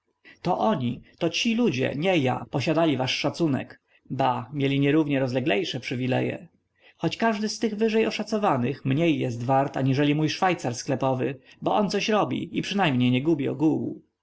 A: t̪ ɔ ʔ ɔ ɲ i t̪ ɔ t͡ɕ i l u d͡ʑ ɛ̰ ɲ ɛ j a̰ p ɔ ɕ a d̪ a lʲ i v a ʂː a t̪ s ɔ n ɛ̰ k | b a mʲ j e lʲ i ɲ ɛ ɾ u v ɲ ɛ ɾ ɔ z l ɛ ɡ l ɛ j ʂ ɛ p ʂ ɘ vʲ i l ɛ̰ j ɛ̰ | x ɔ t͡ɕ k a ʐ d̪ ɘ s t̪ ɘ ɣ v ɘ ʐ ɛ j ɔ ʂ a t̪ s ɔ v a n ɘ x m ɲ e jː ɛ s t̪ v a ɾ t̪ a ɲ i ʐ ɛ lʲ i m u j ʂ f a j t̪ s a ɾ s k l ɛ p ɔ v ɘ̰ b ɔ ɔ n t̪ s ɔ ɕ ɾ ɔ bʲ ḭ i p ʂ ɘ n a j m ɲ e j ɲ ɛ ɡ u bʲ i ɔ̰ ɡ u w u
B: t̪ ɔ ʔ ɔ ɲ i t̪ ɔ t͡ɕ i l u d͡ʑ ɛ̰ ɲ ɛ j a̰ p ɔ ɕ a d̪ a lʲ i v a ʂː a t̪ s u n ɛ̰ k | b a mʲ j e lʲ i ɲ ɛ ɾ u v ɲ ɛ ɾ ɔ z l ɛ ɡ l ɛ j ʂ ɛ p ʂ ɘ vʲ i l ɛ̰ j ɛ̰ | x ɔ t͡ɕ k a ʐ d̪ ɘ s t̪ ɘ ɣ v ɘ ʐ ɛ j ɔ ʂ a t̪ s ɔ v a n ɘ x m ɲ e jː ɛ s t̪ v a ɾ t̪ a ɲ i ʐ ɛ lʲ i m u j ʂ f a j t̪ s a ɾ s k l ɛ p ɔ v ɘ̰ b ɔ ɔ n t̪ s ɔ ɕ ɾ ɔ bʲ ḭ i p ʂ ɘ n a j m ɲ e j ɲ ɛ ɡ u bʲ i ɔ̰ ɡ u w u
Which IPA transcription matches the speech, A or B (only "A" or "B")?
B